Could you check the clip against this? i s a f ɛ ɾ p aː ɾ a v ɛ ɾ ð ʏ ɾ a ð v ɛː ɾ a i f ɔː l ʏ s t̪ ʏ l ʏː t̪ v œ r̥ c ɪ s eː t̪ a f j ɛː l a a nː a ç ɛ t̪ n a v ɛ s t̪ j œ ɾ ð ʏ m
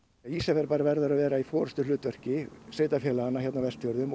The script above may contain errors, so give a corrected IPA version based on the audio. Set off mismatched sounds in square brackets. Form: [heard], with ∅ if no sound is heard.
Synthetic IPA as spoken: i s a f ɛ ɾ p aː ɾ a v ɛ ɾ ð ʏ ɾ a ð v ɛː ɾ a i f ɔː [ɾ] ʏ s t̪ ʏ l ʏː t̪ v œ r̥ c ɪ s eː t̪ a f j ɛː l a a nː a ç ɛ t̪ n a v ɛ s t̪ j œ ɾ ð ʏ m